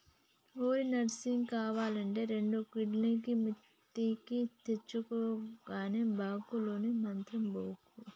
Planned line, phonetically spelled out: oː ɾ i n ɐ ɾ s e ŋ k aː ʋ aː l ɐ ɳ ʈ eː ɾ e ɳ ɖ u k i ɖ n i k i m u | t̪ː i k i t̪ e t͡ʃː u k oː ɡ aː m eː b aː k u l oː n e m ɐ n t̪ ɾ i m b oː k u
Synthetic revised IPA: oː ɾ i n ɐ ɾ s i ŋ k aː ʋ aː l ɐ ɳ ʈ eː ɾ e ɳ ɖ u k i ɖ n i k i m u | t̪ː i k i t̪ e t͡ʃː u k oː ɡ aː n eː b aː k u l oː n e m ɐ n t̪ ɾ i m b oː k u